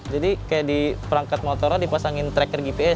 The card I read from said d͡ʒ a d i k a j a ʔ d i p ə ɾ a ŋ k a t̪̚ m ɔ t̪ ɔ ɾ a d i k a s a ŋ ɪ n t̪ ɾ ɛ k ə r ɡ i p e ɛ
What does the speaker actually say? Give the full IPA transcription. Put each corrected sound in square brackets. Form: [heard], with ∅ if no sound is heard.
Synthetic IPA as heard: d͡ʒ a d i k a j a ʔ d i p ə ɾ a ŋ k a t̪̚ m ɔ t̪ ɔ ɾ a d i [p] a s a ŋ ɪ n t̪ ɾ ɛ k ə r ɡ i p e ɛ